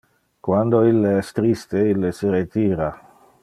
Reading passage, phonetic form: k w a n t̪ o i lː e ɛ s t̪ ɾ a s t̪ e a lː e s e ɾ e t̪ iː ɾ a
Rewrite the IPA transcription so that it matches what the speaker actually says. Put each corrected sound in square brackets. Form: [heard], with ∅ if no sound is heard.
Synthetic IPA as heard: k w a n [d̪] o i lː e ɛ s t̪ ɾ [i] s t̪ e [i] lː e s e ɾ e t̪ iː ɾ a